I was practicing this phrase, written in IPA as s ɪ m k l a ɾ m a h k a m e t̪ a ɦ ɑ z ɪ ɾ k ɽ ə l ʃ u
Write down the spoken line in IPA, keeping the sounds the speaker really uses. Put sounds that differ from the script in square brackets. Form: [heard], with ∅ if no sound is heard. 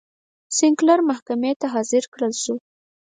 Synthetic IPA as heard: s ɪ [ŋ] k l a ɾ m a h k a m e t̪ a ɦ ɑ z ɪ ɾ k ɽ ə l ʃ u